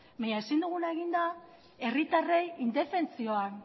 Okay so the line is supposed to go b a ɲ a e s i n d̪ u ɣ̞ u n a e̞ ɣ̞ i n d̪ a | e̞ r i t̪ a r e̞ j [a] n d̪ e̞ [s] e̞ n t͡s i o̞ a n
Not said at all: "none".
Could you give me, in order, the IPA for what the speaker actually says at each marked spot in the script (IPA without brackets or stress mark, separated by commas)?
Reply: i, f